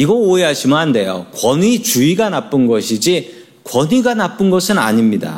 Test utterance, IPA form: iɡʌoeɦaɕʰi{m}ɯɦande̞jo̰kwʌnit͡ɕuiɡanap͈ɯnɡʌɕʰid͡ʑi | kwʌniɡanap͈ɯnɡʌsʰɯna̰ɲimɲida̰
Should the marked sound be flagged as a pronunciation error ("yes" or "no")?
no